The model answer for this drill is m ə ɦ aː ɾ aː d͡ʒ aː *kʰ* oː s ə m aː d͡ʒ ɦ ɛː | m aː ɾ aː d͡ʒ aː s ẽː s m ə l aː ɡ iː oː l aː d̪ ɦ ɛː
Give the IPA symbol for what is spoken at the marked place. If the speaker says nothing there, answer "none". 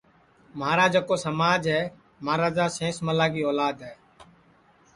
k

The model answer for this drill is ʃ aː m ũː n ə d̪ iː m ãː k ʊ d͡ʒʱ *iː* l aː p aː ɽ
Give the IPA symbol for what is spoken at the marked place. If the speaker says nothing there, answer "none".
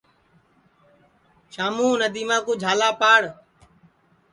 aː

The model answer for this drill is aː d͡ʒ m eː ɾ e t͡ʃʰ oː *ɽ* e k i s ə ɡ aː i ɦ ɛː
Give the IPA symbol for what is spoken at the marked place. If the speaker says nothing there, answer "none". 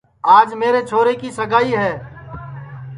ɾ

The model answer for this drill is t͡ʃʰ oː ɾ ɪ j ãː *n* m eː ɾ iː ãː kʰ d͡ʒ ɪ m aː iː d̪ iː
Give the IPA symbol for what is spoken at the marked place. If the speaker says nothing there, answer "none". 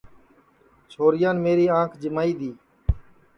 n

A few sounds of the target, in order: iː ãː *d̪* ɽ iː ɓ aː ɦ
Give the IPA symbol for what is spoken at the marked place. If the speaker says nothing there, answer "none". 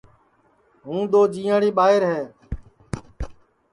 none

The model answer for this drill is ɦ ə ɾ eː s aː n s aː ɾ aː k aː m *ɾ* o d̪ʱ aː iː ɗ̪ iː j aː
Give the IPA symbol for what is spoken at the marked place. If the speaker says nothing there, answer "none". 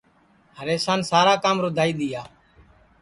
ɾ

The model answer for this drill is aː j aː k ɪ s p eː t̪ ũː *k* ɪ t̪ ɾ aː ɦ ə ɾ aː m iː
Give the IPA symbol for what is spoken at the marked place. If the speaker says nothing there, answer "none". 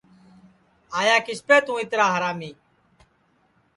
none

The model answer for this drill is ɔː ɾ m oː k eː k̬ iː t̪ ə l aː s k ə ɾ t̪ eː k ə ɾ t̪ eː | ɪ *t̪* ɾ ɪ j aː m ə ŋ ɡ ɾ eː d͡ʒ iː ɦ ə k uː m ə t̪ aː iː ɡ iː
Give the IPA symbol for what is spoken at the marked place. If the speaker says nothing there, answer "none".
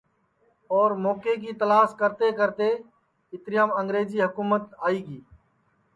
t̪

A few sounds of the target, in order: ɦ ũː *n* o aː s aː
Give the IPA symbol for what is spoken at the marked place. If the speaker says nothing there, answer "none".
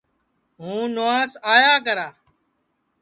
n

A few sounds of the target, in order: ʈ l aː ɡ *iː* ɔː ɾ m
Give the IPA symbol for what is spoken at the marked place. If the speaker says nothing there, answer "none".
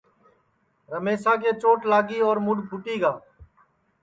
iː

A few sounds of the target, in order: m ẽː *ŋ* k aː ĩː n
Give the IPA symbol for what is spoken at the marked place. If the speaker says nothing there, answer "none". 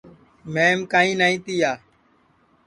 m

